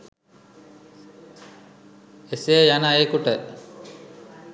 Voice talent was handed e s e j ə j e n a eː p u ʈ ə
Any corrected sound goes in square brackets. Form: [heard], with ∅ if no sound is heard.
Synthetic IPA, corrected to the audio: e s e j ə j [a] n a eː [k] u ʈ ə